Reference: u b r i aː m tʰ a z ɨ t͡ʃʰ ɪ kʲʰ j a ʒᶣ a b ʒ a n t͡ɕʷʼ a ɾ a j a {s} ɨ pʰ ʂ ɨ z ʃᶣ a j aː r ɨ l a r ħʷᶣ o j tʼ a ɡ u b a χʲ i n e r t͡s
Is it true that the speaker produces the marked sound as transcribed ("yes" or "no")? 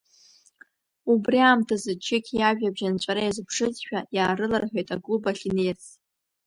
no